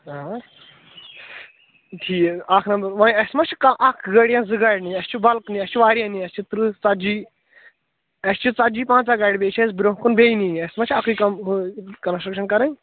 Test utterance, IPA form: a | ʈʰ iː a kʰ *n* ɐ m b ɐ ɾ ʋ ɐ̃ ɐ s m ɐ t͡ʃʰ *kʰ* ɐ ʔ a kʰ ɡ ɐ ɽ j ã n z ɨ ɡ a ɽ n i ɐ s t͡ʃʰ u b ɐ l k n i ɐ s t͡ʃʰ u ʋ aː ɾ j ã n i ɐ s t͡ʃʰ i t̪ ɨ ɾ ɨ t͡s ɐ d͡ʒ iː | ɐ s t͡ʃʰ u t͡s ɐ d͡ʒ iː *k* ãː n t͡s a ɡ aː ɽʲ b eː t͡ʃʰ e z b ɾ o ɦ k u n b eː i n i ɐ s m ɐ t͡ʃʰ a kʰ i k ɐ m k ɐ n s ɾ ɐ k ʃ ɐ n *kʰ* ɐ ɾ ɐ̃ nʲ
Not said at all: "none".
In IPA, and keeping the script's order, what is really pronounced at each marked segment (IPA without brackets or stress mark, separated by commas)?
n, k, p, k